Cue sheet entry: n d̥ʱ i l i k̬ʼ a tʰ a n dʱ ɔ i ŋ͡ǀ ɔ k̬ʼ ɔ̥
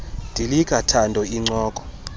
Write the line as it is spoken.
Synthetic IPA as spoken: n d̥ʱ i l i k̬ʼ a tʰ a n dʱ ɔ i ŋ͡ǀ ɔː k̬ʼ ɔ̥